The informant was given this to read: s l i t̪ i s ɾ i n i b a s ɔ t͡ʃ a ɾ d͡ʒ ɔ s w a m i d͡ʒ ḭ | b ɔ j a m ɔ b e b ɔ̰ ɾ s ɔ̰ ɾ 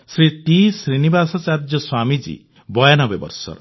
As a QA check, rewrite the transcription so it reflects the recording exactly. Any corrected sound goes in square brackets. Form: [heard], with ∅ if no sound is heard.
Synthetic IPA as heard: s [ɾ] i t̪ i s ɾ i n i b a s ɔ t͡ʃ a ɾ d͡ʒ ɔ s w a m i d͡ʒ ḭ | b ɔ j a [n] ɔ b e b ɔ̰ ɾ s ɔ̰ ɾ